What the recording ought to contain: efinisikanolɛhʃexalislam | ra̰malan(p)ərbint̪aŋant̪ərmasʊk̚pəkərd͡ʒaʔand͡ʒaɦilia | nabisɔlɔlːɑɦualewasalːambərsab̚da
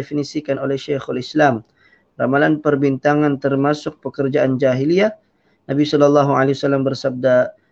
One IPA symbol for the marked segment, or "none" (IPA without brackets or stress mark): p